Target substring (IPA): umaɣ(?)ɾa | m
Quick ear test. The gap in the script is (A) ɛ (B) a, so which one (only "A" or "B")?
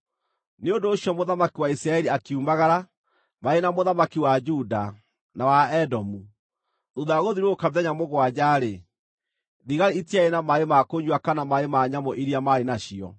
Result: B